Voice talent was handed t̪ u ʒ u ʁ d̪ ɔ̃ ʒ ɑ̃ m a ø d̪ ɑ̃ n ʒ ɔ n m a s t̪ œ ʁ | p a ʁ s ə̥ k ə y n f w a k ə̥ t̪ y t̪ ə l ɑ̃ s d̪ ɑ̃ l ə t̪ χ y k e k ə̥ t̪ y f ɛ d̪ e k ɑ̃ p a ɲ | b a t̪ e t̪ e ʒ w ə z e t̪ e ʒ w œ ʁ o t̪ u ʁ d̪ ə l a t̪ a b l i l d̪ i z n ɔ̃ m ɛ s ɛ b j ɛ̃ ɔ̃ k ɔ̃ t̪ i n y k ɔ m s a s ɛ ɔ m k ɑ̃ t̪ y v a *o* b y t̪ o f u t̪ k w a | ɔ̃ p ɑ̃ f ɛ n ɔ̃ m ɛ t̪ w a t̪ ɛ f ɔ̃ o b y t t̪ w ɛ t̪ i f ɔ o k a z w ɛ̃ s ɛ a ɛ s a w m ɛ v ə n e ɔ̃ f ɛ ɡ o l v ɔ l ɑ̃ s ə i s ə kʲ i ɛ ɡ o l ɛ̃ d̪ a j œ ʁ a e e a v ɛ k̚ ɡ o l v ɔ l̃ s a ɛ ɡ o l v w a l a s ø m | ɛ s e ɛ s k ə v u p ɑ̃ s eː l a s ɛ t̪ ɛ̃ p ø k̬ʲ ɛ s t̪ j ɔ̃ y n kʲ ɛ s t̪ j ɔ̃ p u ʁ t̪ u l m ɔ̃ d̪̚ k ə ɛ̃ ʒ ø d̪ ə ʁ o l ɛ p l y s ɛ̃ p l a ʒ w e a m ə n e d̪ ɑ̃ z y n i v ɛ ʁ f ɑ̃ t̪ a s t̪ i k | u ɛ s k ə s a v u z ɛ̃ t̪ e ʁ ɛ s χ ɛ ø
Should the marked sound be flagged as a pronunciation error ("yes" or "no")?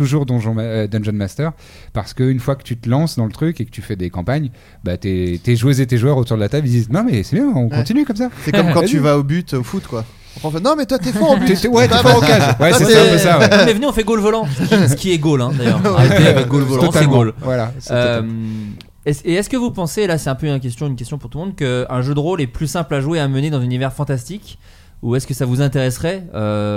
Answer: no